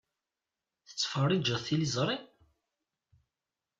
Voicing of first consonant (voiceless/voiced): voiceless